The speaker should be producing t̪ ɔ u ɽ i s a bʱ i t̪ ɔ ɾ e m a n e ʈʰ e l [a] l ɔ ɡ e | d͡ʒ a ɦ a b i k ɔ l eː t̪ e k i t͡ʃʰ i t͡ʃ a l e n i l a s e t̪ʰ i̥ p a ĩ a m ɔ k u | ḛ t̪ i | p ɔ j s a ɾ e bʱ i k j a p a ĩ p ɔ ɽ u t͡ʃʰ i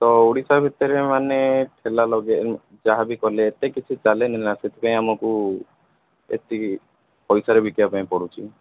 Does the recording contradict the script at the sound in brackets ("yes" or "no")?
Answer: no